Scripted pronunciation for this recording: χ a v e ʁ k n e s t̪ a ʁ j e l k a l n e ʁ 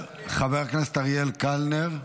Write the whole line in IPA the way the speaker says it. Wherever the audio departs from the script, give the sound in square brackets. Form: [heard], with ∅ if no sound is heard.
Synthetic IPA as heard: χ a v e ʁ k n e s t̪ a ʁ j e l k a l n e ʁ